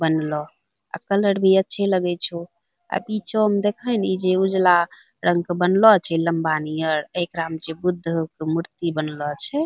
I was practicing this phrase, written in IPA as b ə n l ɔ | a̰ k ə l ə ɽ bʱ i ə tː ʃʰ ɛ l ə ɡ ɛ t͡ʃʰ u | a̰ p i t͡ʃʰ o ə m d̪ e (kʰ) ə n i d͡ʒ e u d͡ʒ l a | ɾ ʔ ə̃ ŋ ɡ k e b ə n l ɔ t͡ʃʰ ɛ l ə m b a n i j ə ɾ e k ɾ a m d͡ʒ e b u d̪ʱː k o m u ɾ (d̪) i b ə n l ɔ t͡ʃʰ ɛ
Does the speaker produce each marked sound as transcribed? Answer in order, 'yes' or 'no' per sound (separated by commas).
yes, no